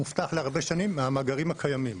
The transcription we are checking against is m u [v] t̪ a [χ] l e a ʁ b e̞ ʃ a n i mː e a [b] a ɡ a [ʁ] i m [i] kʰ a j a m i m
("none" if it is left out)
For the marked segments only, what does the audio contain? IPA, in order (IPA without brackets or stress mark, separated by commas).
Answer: f, χ, m, ʁ, a